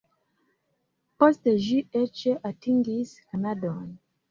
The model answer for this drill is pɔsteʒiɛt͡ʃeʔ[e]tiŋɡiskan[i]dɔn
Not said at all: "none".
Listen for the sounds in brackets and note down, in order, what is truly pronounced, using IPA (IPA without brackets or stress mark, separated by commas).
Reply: a, a